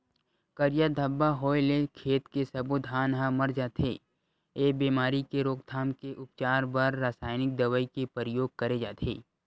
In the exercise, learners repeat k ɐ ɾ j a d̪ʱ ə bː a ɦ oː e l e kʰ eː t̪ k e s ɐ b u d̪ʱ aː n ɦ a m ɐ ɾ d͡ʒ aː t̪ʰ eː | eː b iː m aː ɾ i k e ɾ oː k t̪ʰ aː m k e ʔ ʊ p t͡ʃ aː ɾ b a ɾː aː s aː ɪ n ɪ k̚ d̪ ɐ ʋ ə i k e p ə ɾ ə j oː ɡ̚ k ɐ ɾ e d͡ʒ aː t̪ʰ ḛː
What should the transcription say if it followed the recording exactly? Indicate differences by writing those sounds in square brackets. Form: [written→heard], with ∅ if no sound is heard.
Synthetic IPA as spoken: k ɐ ɾ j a d̪ʱ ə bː a ɦ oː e l e kʰ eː t̪ k e s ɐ b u d̪ʱ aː n ɦ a m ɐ ɾ d͡ʒ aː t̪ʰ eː | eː b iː m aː ɾ i k e ɾ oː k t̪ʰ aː m k e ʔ ʊ p t͡ʃ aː ɾ b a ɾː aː s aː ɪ n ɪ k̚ d̪ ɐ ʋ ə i k e p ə ɾ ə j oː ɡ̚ k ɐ ɾ e d͡ʒ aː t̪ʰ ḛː